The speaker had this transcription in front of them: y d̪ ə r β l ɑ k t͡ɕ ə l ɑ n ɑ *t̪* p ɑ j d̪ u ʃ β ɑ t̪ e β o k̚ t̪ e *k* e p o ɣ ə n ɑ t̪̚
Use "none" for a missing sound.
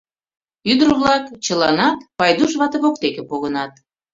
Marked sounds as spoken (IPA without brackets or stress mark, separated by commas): t̪, k